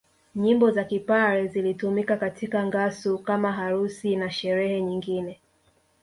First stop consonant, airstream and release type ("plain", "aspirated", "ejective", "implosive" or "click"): plain